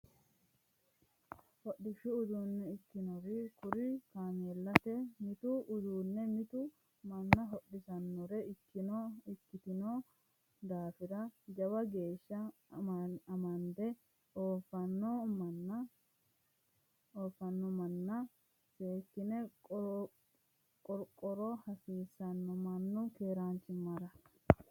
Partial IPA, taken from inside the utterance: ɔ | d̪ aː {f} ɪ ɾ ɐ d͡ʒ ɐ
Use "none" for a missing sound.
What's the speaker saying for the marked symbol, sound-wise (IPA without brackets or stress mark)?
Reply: f